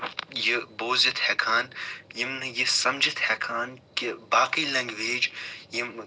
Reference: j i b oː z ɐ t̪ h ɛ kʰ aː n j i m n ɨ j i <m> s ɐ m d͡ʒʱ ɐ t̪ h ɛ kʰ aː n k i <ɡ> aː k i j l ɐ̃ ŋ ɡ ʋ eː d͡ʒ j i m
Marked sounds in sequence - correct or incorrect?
incorrect, incorrect

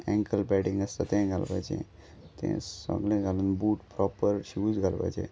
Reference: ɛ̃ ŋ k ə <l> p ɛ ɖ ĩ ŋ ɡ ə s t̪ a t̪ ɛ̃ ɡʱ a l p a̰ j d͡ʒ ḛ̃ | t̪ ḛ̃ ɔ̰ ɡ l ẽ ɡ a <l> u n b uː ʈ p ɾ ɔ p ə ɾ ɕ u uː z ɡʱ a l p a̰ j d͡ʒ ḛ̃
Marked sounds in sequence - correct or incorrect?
correct, correct

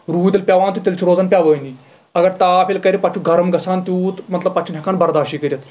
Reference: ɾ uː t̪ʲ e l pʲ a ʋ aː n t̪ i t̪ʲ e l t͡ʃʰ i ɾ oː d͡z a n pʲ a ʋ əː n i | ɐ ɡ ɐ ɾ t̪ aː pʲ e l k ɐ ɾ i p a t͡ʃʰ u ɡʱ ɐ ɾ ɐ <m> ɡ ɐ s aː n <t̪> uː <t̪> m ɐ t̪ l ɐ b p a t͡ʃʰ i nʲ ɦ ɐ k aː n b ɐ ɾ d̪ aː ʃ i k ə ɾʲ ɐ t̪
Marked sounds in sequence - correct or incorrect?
correct, correct, correct

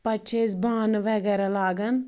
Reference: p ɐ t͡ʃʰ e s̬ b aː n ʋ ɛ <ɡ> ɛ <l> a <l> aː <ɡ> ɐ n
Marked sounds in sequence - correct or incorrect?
correct, incorrect, correct, correct

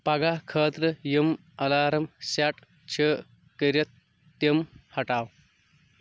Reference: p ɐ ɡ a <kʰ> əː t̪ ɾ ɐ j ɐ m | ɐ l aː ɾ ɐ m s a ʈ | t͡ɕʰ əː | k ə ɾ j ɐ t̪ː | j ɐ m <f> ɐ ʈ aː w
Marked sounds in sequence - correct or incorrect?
correct, incorrect

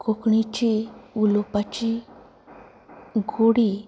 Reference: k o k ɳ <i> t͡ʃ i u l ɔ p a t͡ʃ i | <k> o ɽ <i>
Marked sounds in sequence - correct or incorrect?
correct, incorrect, correct

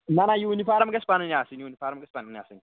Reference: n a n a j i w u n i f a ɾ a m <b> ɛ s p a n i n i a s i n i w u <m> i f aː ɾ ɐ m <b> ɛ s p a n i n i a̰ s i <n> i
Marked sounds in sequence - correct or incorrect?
incorrect, incorrect, incorrect, correct

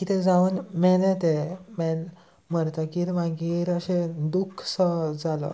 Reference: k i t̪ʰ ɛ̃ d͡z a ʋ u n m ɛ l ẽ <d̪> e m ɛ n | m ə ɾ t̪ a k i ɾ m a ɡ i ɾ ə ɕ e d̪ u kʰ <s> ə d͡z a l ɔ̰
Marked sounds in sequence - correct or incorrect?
incorrect, correct

